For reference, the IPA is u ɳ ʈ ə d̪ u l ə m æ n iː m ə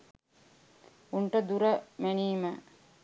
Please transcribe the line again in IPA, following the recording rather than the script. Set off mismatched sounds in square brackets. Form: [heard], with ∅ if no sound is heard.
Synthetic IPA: u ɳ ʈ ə d̪ u [ɾ] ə m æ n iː m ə